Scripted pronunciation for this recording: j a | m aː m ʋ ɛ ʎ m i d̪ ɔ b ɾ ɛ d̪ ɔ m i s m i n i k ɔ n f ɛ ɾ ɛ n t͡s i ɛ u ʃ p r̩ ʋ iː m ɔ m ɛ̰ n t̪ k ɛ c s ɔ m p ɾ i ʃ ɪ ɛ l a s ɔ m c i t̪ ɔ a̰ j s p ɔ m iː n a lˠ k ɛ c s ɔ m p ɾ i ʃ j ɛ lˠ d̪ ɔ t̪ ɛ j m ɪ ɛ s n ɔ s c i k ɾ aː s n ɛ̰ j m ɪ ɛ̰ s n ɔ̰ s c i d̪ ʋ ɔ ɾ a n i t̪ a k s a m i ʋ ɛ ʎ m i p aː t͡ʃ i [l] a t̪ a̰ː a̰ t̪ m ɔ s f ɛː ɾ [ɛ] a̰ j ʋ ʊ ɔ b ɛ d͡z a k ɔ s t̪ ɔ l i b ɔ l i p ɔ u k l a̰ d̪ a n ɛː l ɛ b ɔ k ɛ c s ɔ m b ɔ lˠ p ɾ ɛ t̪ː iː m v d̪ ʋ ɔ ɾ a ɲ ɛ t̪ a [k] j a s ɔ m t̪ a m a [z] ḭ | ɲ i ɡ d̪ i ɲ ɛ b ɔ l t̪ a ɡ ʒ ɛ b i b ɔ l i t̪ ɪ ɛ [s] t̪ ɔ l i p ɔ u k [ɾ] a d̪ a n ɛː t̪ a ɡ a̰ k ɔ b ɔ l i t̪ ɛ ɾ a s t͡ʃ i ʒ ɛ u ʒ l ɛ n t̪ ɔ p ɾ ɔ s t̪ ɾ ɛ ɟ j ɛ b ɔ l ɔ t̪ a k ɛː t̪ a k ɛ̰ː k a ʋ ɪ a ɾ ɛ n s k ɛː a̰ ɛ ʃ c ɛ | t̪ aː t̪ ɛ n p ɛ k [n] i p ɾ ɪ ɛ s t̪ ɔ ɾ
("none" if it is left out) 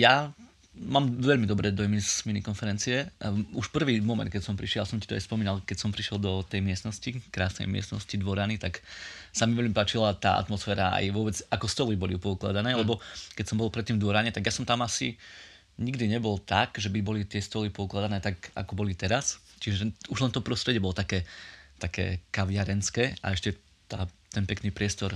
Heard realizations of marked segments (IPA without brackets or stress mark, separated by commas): l, a, ɡ, s, s, l, n